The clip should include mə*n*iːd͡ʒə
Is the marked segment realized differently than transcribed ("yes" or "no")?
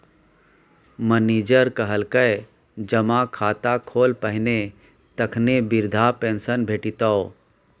no